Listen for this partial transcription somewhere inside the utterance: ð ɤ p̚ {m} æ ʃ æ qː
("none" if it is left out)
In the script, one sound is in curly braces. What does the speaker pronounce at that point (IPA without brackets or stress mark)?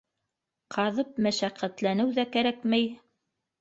m